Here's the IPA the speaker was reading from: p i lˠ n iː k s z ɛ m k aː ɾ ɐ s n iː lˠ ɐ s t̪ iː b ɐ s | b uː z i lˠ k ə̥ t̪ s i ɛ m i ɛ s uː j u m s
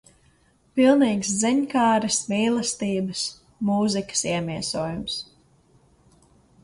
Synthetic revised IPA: p i lˠ n iː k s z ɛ ɲ k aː ɾ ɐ s m iː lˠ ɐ s t̪ iː b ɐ s | m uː z i k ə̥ s i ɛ m i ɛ s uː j u m s

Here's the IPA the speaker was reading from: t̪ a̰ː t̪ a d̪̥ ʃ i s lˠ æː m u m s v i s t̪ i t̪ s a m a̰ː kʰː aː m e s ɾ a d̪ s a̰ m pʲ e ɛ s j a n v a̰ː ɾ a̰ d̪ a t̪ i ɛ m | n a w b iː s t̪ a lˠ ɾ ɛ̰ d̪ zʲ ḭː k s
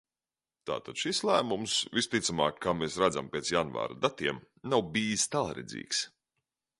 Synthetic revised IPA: t̪ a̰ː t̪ a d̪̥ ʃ i s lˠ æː m u m s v i s t̪ i t̪ s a m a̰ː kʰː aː m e s ɾ a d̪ z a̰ m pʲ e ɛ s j a n v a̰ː ɾ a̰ d̪ a t̪ i ɛ m | n a w b iː s t̪ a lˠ ɾ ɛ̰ d̪ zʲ ḭː k s

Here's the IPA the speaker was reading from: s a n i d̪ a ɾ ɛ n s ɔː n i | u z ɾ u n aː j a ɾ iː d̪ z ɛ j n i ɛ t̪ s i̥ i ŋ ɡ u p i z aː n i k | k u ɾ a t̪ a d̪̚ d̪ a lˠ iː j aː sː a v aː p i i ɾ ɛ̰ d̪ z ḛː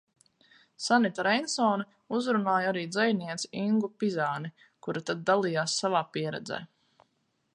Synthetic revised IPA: s a n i t̪ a ɾ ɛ n s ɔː n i | u z ɾ u n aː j a ɾ iː d̪ z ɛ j n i ɛ t̪ s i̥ i ŋ ɡ u p i z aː n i | k u ɾ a t̪ a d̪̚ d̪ a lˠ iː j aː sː a v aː p i ɛ ɾ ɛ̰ d̪ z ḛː

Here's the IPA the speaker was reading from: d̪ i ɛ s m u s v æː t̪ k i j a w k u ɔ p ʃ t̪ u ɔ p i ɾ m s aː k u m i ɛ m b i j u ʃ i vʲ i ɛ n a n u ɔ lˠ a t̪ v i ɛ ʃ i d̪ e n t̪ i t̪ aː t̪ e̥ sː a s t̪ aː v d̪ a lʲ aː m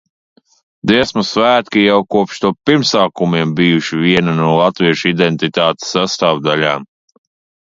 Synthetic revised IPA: d̪ i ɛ s m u s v æː t̪ k i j a w k u ɔ p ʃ t̪ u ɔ p i ɾ m s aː k u m i ɛ m b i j u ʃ i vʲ i ɛ n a n u ɔ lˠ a t̪ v i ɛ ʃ i d̪ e n t̪ i t̪ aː t̪ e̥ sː a s t̪ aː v d̪ a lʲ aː m

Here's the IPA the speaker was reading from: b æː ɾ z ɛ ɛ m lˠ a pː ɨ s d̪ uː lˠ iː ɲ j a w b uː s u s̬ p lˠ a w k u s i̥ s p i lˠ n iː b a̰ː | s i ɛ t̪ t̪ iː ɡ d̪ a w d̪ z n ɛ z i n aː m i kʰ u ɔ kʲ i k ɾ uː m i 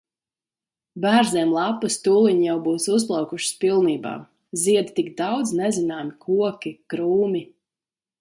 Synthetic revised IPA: b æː ɾ z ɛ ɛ m lˠ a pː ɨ s t̪ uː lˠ i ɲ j a w b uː s u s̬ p lˠ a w k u ʃ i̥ s p i lˠ n iː b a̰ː | z i ɛ d̪ t̪ i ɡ d̪ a w d̪ z n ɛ z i n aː m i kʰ u ɔ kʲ i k ɾ uː m i

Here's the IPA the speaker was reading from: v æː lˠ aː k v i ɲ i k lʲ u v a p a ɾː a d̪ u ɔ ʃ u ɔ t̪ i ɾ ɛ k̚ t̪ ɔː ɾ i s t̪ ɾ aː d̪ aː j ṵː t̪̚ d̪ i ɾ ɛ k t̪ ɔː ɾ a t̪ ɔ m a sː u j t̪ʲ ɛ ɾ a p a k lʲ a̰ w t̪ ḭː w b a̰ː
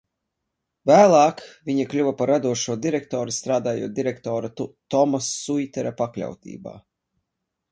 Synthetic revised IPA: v æː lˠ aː k v i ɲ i k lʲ u v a p a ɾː a d̪ u ɔ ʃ u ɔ d̪ i ɾ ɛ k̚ t̪ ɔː ɾ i s t̪ ɾ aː d̪ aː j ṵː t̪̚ d̪ i ɾ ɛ k t̪ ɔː ɾ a t̪ ɔ m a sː u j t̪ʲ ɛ ɾ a p a k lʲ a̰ w t̪ ḭː b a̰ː

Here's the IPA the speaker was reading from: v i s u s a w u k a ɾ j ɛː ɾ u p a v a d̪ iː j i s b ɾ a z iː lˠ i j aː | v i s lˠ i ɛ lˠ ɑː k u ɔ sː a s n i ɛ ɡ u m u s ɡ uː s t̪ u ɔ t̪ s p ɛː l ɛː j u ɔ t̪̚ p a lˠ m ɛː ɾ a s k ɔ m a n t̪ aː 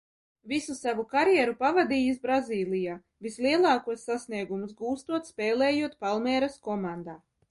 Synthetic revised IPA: v i s u s a v u k a ɾ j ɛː ɾ u p a v a d̪ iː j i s b ɾ a z iː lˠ i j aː | v i s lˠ i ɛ lˠ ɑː k u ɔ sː a s n i ɛ ɡ u m u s ɡ uː s t̪ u ɔ t̪ s p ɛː l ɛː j u ɔ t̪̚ p a lˠ m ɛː ɾ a s k ɔ m a n d̪ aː

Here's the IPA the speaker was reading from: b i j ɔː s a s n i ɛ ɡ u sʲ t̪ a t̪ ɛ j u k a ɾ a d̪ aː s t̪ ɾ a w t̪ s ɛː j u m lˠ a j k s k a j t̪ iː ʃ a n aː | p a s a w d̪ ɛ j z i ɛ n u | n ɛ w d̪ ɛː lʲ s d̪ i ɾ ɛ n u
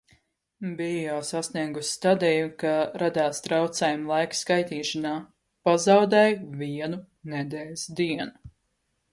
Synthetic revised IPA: b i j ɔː s a s n i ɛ ɡ u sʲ t̪ a d̪ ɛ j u k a ɾ a d̪ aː s t̪ ɾ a w t̪ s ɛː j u m lˠ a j k s k a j t̪ iː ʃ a n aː | p a z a w d̪ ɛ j v i ɛ n u | n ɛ d̪ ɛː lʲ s d̪ i ɛ n u

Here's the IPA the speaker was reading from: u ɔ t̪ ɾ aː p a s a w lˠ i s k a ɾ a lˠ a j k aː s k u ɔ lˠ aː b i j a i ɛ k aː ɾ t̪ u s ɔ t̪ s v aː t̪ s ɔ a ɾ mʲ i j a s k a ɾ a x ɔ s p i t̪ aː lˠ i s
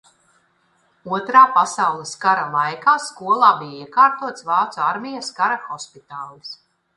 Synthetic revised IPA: u ɔ t̪ ɾ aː p a s a w lˠ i s k a ɾ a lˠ a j k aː s k u ɔ lˠ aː b i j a i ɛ k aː ɾ t̪ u ɔ t̪ s v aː t̪ s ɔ a ɾ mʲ i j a s k a ɾ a x ɔ s p i t̪ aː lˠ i s

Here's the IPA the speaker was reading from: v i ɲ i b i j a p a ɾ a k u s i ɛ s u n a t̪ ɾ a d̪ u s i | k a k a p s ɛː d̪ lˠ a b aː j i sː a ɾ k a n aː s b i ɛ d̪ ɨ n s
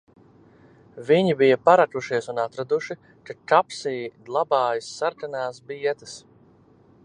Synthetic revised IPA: v i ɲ i b i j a p a ɾ a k u ʃ i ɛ s u n a t̪ ɾ a d̪ u ʃ i | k a k a p s iː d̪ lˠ a b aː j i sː a ɾ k a n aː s b i ɛ t̪ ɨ s

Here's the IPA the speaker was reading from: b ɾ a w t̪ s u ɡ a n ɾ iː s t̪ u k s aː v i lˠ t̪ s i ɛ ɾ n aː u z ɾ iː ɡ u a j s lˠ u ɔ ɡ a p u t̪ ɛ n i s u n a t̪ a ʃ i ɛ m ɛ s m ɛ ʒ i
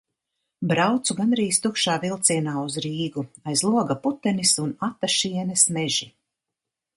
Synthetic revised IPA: b ɾ a w t̪ s u ɡ a n ɾ iː s t̪ u k ʃ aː v i lˠ t̪ s i ɛ n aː u z ɾ iː ɡ u a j z lˠ u ɔ ɡ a p u t̪ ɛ n i s u n a t̪ a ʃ i ɛ n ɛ s m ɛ ʒ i

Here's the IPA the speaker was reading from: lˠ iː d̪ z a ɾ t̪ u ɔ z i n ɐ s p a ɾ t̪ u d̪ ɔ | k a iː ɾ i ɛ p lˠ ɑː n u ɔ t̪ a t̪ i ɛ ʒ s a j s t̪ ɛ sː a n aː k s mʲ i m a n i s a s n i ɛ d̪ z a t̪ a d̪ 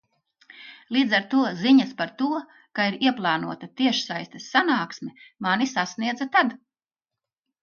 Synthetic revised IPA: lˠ iː d̪ z a ɾ t̪ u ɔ z i ɲ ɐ s p a ɾ t̪ u ɔ | k a i ɾ i ɛ p lˠ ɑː n u ɔ t̪ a t̪ i ɛ ʃ s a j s t̪ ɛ sː a n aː k s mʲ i m a n i s a s n i ɛ d̪ z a t̪ a d̪

